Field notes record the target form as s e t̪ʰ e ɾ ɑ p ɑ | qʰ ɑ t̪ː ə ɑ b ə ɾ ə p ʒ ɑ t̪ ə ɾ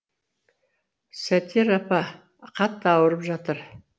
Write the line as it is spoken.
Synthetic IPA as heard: s æ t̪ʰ e ɾ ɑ p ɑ | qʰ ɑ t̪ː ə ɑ w ə ɾ ə p ʒ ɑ t̪ ə ɾ